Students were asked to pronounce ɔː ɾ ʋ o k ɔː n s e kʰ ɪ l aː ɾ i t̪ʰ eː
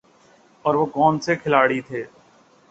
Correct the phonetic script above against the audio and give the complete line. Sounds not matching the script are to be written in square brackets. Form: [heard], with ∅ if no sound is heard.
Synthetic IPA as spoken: ɔː ɾ ʋ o k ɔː n s e kʰ ɪ l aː [ɽ] i t̪ʰ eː